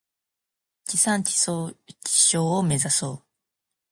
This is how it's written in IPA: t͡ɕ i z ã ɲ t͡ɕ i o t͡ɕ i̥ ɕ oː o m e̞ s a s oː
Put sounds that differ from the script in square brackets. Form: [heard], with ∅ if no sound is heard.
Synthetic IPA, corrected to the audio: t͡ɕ i [s] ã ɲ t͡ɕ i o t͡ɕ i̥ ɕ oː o m e̞ [z] a s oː